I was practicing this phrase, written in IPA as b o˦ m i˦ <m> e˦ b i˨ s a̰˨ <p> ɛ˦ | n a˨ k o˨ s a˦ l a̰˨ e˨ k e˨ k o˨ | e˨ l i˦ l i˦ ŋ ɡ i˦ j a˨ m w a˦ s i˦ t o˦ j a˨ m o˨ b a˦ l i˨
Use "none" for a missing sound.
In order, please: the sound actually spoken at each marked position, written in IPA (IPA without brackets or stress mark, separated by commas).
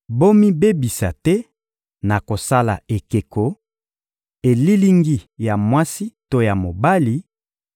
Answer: b, t